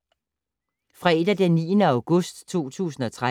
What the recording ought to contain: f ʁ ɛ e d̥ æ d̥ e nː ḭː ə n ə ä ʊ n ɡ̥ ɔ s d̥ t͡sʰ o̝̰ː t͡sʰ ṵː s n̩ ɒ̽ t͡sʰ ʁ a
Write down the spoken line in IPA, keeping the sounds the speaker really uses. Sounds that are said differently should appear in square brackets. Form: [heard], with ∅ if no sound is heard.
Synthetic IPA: f ʁ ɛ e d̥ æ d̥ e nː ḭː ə n ə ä ʊ [∅] ɡ̥ ɔ s d̥ t͡sʰ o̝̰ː t͡sʰ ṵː s n̩ ɒ̽ t͡sʰ ʁ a